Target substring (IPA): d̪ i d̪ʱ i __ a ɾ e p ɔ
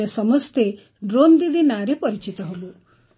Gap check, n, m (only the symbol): n